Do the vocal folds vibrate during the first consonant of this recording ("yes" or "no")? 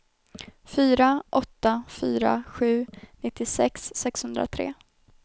no